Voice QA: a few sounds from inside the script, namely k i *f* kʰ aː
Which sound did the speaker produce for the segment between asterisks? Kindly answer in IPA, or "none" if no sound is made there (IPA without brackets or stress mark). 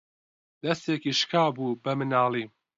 ʃ